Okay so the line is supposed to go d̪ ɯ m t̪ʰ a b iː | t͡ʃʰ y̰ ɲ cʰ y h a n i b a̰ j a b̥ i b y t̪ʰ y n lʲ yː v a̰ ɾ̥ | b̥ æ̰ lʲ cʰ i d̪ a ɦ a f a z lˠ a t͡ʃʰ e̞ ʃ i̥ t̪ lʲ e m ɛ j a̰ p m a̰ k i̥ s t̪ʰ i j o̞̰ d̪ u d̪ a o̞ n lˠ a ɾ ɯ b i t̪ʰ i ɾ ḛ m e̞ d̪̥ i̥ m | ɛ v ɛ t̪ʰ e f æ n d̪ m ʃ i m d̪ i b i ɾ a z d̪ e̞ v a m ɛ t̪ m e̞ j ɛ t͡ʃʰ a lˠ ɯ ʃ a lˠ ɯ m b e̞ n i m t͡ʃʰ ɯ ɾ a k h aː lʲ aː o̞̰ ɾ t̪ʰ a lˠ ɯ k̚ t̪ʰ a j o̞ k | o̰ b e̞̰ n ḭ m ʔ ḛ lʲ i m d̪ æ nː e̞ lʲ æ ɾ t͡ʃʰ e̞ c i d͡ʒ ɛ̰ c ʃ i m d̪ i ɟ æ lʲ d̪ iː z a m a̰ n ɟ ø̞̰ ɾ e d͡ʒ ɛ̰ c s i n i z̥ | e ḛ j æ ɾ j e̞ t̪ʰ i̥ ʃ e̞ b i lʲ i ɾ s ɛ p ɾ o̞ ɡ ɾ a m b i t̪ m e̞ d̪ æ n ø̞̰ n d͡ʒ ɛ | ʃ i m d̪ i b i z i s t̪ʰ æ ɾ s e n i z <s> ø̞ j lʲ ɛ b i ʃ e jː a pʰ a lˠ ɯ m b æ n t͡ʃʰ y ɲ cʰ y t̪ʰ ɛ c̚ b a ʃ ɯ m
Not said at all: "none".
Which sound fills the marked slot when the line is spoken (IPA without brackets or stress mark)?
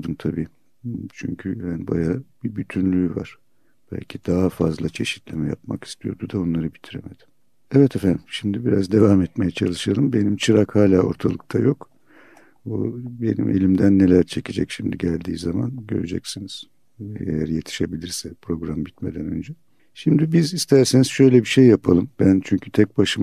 ʃ